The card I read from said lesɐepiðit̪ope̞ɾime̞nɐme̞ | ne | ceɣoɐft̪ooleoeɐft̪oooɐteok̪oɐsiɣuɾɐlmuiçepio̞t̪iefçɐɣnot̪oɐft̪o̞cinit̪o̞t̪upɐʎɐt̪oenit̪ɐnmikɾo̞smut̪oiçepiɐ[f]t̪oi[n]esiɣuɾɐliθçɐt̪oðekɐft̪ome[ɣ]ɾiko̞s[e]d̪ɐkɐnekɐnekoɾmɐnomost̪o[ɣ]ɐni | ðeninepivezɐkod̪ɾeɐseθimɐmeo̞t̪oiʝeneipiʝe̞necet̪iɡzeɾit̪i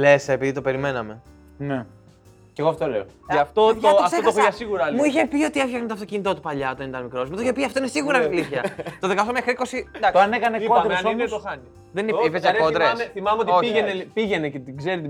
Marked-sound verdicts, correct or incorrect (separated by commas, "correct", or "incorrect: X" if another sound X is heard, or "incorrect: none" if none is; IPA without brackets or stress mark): correct, correct, incorrect: x, incorrect: i, incorrect: x